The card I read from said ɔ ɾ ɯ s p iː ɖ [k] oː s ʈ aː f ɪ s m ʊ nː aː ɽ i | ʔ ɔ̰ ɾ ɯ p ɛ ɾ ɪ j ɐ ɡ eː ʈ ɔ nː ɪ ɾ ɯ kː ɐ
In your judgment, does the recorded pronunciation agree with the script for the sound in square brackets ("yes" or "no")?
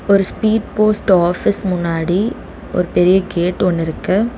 no